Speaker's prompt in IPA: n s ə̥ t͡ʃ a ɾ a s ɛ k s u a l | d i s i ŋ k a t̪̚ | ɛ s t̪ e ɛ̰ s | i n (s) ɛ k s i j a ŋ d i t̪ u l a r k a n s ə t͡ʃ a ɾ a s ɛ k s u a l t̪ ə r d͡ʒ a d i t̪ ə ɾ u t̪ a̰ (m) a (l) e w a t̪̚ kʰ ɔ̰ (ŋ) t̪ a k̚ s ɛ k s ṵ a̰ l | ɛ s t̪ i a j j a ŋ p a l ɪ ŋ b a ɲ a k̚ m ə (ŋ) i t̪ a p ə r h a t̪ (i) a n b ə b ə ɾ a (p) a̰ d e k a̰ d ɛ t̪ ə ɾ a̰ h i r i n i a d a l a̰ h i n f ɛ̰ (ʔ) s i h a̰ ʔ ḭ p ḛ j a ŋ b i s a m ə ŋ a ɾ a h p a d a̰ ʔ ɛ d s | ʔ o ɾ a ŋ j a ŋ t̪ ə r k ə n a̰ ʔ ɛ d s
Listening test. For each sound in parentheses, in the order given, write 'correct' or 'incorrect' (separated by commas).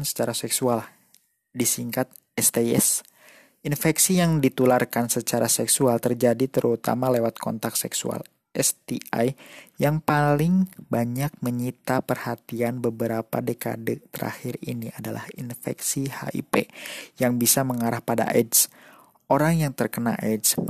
incorrect, correct, correct, incorrect, incorrect, correct, correct, incorrect